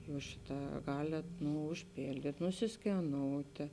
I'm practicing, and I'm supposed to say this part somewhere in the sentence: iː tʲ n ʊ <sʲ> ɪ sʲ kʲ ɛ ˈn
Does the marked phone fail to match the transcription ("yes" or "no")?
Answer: no